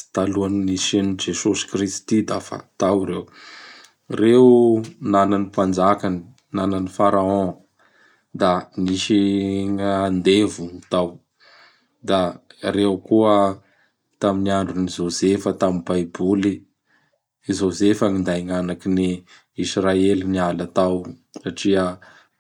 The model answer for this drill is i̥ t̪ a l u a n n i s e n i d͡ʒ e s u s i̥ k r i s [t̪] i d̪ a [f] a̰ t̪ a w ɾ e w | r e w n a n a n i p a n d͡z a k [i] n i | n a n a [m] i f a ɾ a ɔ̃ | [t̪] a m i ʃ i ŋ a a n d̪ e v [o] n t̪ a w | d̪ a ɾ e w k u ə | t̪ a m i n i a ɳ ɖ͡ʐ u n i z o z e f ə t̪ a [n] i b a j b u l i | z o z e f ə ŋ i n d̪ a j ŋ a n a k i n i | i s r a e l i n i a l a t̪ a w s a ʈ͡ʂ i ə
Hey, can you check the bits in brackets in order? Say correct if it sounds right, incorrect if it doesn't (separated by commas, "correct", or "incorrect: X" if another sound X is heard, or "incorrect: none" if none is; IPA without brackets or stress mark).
correct, correct, incorrect: a, incorrect: n, incorrect: d̪, incorrect: u, incorrect: m